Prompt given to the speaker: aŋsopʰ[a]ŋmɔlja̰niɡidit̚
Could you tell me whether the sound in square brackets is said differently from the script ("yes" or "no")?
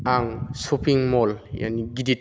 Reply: yes